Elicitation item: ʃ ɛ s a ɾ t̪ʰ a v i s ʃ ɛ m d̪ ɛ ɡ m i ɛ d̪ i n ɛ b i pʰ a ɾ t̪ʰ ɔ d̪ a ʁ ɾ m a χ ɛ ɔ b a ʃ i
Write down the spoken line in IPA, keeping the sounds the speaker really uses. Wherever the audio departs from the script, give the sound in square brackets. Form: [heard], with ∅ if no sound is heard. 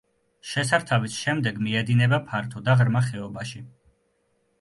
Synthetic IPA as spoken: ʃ ɛ s a ɾ t̪ʰ a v i s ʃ ɛ m d̪ ɛ ɡ m i ɛ d̪ i n ɛ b [a] pʰ a ɾ t̪ʰ ɔ d̪ a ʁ ɾ m a χ ɛ ɔ b a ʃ i